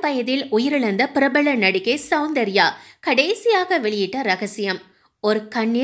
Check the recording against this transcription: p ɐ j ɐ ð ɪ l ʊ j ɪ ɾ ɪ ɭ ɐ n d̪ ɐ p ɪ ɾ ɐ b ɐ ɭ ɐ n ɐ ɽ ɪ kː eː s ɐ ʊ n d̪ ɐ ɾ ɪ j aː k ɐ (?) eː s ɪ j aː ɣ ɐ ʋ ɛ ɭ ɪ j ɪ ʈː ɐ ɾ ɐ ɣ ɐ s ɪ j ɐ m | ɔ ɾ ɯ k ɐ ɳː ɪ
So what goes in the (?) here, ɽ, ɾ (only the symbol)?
ɽ